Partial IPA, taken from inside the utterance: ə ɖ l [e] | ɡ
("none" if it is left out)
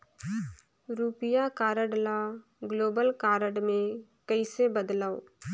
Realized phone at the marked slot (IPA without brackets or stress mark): a